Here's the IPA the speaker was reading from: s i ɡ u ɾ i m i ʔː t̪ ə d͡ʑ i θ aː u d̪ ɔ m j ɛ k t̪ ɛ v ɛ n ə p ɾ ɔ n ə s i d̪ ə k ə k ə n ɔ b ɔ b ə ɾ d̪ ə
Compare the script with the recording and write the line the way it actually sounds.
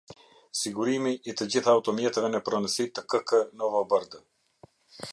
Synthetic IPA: s i ɡ u ɾ i m i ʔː t̪ ə d͡ʑ i θ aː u t̪ ɔ m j ɛ t̪ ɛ v ɛ n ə p ɾ ɔ n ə s i t̪ ə k ə k ə n ɔ v ɔ b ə ɾ d̪ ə